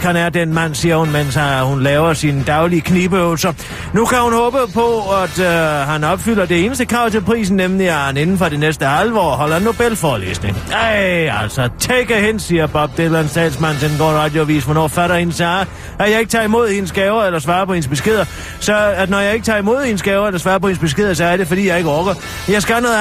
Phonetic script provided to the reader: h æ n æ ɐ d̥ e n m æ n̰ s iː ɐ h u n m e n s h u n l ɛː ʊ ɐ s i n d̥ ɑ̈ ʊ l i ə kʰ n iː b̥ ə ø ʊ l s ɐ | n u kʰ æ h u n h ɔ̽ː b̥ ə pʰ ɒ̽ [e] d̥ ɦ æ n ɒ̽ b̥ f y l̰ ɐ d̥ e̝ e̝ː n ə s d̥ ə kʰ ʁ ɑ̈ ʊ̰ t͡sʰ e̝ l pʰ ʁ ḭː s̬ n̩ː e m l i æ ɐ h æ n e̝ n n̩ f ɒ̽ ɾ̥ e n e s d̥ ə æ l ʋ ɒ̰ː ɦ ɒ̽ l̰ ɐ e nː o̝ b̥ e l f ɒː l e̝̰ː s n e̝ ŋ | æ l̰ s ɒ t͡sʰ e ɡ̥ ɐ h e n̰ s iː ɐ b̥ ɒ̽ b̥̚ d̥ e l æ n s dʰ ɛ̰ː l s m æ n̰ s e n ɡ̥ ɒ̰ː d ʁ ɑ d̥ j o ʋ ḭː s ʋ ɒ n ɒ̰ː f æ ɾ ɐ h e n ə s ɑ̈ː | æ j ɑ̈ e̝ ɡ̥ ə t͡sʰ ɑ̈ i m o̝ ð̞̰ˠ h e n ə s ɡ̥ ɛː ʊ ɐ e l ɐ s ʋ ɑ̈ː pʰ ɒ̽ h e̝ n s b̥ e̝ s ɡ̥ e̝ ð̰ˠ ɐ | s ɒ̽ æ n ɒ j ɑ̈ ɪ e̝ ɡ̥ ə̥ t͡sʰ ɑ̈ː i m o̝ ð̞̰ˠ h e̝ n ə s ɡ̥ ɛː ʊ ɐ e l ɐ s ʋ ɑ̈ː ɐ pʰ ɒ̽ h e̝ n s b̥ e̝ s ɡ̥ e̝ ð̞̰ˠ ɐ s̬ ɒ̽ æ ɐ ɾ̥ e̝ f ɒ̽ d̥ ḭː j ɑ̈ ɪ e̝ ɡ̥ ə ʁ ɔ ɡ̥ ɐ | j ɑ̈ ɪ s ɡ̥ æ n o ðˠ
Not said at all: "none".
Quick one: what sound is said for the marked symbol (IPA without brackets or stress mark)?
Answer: æ